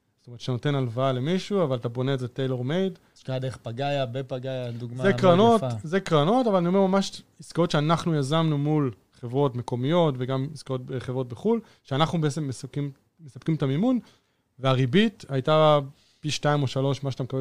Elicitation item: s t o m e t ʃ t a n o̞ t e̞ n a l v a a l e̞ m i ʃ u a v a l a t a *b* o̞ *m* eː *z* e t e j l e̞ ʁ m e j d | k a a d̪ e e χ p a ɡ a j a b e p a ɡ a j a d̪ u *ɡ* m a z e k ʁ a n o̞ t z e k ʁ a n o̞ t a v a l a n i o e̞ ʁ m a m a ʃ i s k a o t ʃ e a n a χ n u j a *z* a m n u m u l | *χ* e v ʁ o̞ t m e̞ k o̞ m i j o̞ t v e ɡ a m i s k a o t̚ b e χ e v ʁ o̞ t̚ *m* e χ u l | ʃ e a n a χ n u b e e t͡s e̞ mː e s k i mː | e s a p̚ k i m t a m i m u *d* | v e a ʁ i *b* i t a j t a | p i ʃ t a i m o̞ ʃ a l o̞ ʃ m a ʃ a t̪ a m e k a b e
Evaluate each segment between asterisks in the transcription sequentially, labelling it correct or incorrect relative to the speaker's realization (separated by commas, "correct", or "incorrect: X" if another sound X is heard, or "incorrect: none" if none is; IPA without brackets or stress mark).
correct, incorrect: n, correct, correct, correct, correct, incorrect: b, incorrect: n, correct